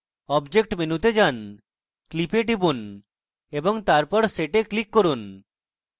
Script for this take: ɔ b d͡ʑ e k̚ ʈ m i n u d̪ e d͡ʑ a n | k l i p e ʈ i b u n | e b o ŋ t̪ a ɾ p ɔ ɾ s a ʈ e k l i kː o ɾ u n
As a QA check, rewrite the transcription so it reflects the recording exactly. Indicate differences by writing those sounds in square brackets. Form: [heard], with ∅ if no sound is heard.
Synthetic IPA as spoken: ɔ b d͡ʑ e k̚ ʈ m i n u [t̪] e d͡ʑ a n | k l i p e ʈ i b u n | e b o ŋ t̪ a ɾ p ɔ ɾ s [e] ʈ e k l i kː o ɾ u n